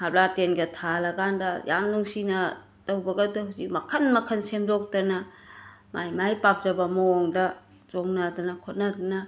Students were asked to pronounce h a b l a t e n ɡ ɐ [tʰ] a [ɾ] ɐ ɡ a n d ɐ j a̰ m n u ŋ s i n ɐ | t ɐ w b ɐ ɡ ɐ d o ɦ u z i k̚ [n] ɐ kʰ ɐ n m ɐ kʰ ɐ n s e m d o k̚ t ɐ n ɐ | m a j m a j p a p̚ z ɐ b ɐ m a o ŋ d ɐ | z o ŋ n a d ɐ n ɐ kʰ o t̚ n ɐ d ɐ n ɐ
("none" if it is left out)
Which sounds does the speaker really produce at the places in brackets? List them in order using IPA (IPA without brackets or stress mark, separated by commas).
tʰ, l, m